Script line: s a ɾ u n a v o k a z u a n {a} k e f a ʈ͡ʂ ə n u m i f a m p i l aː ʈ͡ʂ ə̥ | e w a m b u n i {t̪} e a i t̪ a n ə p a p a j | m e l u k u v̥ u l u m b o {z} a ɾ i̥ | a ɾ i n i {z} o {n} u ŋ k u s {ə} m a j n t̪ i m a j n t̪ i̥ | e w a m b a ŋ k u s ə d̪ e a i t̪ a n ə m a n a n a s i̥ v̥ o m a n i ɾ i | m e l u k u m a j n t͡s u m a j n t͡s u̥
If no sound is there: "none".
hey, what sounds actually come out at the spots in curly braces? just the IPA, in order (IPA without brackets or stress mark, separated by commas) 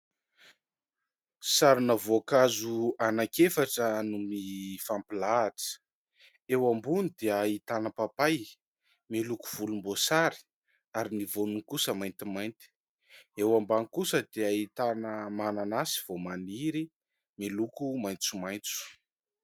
a, d̪, s, v, n, ə